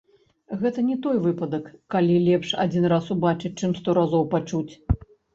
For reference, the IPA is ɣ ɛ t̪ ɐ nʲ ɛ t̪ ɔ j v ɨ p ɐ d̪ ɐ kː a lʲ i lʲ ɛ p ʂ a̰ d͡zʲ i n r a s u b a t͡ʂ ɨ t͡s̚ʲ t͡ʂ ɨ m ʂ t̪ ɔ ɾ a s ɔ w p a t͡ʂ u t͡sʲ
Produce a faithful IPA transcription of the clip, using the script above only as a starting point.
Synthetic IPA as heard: ɣ ɛ t̪ ɐ nʲ ɛ t̪ ɔ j v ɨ p ɐ d̪ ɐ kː a lʲ i lʲ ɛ p ʂ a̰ d͡zʲ i n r a s u b a t͡ʂ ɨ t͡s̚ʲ t͡ʂ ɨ m s t̪ ɔ ɾ a z ɔ w p a t͡ʂ u t͡sʲ